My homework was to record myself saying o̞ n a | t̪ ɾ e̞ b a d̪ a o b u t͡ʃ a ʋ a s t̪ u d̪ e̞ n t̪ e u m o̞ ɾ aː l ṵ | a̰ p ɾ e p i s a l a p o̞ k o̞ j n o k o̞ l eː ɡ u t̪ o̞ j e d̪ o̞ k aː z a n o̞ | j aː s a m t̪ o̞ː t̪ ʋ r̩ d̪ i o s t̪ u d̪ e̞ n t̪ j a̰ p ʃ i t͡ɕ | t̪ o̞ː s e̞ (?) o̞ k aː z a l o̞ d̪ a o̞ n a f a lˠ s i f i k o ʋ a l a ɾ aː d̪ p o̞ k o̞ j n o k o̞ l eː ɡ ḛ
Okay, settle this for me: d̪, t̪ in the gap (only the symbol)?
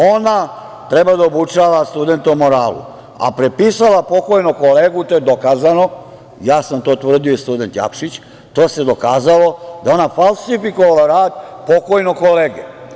d̪